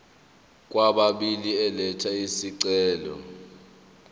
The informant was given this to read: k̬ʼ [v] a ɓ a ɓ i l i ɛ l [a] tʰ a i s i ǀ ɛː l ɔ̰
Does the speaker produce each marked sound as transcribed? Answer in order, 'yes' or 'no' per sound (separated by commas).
no, no